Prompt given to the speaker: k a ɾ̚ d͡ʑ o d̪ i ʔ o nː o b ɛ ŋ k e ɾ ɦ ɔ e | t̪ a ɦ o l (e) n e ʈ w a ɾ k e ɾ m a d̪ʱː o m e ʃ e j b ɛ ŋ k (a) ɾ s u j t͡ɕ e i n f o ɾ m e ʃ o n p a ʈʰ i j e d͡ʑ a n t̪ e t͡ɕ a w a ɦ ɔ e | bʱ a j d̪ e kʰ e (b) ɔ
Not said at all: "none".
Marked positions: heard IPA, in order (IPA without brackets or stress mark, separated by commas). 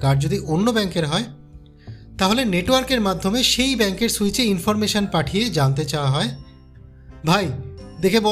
e, e, b